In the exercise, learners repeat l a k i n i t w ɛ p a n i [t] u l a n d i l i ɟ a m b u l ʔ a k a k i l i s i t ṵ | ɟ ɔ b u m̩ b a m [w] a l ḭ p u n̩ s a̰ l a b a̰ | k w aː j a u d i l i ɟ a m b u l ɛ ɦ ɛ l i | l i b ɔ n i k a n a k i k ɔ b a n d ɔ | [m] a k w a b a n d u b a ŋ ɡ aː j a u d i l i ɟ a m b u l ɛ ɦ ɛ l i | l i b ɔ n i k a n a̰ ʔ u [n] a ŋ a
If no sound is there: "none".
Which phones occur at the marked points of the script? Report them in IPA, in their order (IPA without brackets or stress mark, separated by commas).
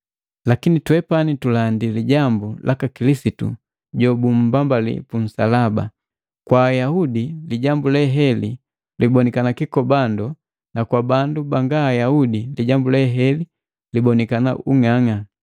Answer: t, b, n, ŋ